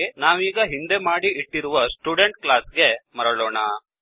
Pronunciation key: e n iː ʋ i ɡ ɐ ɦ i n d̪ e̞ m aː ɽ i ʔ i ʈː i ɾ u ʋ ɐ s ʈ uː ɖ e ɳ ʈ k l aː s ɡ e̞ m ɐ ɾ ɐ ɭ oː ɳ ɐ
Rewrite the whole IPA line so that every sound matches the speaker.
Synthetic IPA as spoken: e n aː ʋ iː ɡ ɐ ɦ i n d̪ e̞ m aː ɽ i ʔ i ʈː i ɾ u ʋ ɐ s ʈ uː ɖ e ɳ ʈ k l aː s ɡ e̞ m ɐ ɾ ɐ ɭ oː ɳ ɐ